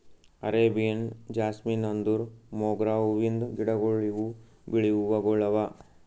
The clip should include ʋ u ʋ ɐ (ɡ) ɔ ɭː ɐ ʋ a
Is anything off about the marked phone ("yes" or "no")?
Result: no